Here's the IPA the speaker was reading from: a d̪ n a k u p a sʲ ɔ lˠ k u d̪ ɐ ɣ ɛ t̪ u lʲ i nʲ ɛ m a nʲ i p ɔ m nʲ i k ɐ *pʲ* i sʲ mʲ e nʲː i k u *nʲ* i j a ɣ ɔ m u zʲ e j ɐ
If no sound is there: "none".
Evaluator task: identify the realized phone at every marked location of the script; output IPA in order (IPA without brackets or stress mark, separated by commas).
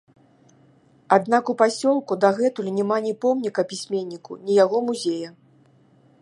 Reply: pʲ, nʲ